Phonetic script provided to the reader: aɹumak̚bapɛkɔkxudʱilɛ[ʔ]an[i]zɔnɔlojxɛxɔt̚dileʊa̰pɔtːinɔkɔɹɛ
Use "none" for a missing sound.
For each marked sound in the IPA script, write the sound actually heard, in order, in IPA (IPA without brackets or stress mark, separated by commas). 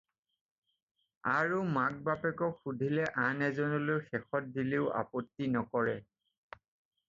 ʔ, ɛ